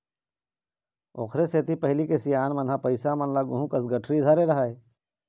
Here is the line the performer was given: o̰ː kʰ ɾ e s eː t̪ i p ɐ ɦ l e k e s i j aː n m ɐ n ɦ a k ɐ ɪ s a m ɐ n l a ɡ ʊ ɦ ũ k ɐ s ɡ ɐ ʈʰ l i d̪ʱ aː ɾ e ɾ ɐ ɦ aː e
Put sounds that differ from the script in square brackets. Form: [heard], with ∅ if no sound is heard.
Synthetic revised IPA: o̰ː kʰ ɾ e s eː t̪ i p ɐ ɦ l [i] k e s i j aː n m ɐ n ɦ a [p] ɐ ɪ s a m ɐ n l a ɡ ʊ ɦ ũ k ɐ s ɡ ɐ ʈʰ [ɾ] i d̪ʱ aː ɾ e ɾ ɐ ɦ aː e